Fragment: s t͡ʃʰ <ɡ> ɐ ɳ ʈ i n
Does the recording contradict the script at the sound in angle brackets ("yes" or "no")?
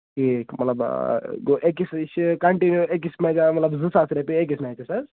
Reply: yes